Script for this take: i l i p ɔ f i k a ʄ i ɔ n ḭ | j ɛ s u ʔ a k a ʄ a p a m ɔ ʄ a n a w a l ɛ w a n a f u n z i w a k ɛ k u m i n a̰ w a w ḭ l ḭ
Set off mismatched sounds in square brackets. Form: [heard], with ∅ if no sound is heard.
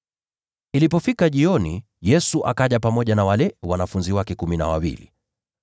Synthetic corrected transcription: i l i p ɔ f i k a ʄ i ɔ n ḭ | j ɛ s u ʔ a k a ʄ a p a m ɔ ʄ a n a w a l ɛ w a n a f u n z i w a k ɛ k u m i n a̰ w a w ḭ l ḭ